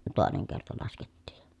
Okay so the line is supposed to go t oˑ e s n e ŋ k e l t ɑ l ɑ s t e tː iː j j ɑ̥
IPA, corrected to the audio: t oˑ e n e ŋ k e r t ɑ l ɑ s k e tː iː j j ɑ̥